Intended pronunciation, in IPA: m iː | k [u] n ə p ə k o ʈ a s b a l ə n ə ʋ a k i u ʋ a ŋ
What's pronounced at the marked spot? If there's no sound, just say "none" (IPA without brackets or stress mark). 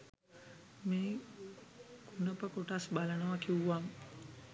u